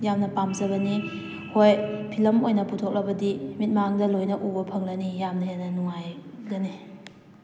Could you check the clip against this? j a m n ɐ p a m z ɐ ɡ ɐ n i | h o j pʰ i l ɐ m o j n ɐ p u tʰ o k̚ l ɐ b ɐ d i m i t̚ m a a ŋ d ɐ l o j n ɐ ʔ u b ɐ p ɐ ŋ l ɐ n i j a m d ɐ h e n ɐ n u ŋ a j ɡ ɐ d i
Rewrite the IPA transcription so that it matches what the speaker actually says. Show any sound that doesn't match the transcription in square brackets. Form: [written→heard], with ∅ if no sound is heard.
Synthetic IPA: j a m n ɐ p a m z ɐ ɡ ɐ n i | h o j pʰ i l ɐ m o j n ɐ p u tʰ o k̚ l ɐ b ɐ d i m i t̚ m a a ŋ d ɐ l o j n ɐ ʔ u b ɐ [p→pʰ] ɐ ŋ l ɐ n i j a m [d→n] ɐ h e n ɐ n u ŋ a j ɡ ɐ [d→n] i